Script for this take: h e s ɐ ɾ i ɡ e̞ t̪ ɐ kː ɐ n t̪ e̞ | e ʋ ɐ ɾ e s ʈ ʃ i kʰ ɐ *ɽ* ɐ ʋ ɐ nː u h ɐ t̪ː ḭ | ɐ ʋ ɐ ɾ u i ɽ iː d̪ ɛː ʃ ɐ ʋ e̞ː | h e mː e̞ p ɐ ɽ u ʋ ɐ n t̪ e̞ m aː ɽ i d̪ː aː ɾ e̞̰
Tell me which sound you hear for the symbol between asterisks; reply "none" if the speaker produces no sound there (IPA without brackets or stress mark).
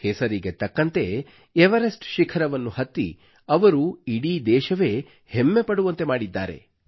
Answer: ɾ